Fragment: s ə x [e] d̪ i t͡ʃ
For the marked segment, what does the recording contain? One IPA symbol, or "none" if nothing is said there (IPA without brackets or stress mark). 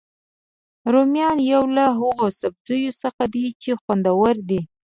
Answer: a